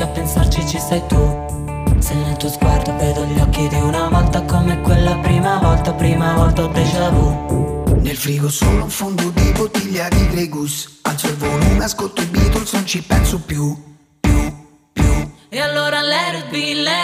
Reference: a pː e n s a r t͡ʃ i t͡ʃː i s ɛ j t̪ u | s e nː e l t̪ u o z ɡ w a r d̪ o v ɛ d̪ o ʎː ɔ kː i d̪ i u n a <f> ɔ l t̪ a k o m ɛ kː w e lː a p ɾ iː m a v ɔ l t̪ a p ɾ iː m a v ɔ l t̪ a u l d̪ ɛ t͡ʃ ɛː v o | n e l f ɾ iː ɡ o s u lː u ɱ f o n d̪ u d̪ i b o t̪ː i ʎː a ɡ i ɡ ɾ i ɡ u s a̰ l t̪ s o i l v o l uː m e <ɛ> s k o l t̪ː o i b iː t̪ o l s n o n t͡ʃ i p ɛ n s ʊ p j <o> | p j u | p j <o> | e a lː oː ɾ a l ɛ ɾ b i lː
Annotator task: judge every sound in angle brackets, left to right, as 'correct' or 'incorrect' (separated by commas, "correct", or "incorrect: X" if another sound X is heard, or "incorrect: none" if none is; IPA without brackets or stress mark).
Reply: incorrect: v, incorrect: a, incorrect: u, incorrect: u